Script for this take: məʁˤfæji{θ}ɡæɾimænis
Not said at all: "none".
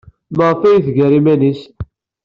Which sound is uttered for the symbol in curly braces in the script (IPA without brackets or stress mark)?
θ